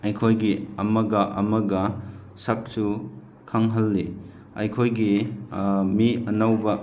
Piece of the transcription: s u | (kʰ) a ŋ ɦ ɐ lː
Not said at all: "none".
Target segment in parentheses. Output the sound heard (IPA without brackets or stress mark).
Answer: kʰ